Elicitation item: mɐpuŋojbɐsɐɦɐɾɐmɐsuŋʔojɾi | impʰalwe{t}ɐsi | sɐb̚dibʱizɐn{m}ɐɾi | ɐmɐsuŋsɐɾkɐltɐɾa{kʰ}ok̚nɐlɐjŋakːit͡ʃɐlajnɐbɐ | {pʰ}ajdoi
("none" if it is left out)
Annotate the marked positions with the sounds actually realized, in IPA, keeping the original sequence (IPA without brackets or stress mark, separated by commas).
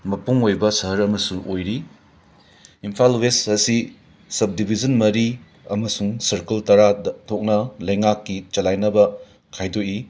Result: s, m, tʰ, kʰ